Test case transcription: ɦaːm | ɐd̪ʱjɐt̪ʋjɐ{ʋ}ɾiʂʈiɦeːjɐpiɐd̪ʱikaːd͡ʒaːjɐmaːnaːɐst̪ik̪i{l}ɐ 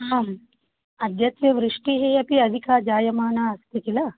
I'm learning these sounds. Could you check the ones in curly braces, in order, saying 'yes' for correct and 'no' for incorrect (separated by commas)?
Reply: yes, yes